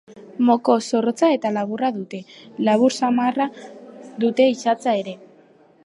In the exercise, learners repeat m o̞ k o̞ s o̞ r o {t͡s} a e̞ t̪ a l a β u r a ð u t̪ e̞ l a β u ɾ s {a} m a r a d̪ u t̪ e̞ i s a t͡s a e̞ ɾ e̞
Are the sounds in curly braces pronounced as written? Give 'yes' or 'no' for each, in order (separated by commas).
yes, yes